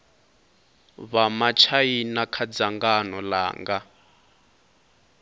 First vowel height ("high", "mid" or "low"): low